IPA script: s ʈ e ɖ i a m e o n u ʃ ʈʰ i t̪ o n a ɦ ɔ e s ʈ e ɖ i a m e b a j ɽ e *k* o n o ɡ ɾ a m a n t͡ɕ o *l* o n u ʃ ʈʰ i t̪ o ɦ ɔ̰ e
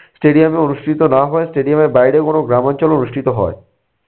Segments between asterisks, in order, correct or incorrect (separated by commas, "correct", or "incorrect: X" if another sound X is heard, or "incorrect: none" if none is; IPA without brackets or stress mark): correct, correct